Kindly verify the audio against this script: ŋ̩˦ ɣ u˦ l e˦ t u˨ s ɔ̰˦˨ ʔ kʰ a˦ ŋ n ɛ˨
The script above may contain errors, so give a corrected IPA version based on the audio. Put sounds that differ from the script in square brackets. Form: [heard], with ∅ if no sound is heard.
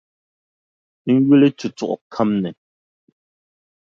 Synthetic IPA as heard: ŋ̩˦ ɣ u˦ l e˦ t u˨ [t͡s] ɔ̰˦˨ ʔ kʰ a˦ [m] n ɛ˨